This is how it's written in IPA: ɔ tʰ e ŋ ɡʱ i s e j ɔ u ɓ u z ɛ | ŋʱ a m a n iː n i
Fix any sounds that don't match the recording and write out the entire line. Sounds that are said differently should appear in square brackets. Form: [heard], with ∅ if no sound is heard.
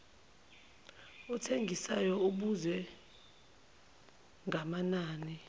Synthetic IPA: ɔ tʰ e ŋ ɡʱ i s [a] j ɔ u ɓ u z ɛ | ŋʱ a m a n [aː] n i